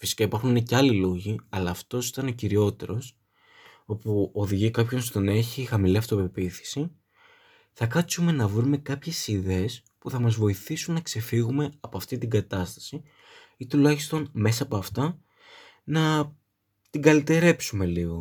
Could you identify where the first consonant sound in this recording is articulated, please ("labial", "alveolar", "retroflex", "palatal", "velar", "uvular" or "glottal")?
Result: labial